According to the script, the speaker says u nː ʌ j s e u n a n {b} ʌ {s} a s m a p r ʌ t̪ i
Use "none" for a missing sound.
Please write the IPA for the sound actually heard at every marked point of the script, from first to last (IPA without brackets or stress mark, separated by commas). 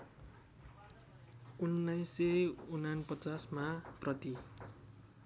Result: p, t͡s